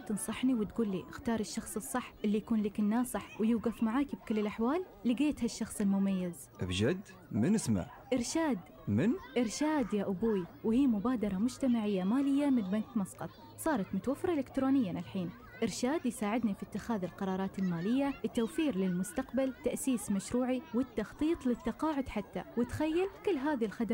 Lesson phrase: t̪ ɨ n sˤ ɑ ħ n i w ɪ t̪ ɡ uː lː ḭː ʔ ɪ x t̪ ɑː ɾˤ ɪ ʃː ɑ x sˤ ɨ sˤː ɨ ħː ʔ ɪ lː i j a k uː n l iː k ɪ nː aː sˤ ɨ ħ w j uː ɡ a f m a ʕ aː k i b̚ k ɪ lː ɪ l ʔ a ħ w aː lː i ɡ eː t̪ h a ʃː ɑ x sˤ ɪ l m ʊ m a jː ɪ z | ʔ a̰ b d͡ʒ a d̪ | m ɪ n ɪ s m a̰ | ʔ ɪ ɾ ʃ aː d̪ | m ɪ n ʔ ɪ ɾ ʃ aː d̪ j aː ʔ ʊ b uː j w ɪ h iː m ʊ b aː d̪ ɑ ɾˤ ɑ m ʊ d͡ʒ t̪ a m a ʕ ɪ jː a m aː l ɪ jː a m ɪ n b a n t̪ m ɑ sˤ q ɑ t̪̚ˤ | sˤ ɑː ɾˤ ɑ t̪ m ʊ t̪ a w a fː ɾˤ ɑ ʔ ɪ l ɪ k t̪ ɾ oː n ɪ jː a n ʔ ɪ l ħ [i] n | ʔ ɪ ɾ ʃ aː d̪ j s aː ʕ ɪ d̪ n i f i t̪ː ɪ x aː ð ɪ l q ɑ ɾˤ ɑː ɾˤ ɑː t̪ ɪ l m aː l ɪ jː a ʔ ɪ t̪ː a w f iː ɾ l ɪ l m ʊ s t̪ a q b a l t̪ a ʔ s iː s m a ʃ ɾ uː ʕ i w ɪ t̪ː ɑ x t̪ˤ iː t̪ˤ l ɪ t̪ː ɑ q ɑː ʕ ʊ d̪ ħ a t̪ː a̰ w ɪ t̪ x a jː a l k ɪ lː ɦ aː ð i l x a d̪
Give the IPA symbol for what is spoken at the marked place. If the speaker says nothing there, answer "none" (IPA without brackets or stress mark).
iː